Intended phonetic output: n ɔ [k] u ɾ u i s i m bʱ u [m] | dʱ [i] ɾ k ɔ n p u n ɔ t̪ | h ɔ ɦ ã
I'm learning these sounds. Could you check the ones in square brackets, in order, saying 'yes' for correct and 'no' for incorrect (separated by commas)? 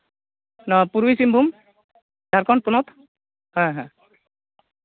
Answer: no, yes, no